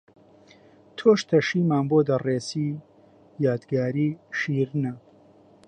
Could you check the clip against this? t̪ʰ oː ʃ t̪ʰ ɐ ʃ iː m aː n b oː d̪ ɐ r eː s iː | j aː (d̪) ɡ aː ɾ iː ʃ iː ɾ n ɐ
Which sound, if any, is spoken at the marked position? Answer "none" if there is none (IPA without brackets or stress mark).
d̪